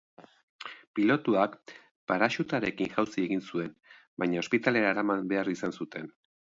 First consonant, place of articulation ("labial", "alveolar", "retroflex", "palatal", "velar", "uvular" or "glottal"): labial